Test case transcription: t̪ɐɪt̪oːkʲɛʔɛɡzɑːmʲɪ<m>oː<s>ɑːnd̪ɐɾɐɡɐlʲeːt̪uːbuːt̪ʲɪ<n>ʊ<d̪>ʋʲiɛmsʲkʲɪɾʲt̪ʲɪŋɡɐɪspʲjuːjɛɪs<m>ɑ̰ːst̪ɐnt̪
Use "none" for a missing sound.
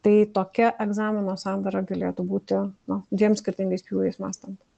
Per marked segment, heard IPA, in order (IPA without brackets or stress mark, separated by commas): n, s, n, d̪, m